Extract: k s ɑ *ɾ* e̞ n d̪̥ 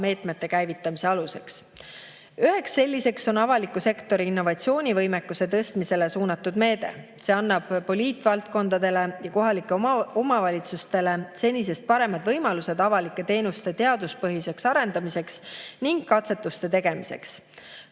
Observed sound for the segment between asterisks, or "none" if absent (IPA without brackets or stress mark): ɾ